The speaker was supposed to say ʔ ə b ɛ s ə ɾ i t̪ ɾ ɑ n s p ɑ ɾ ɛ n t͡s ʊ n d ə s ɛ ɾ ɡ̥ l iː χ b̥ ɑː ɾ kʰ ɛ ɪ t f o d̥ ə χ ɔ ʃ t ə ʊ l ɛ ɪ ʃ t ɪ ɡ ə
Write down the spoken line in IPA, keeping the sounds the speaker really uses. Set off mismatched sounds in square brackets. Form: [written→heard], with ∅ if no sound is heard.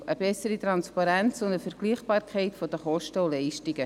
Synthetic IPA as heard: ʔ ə b ɛ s ə ɾ i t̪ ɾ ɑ n s p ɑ ɾ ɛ n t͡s ʊ n d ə [s→f] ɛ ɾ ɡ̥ l iː χ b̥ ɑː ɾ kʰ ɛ ɪ t f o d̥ ə χ ɔ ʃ t ə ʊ l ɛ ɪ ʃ t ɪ ɡ ə